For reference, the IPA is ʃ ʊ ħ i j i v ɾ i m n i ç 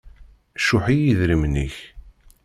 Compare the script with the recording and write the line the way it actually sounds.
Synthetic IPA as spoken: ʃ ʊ ħ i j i ð ɾ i m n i ç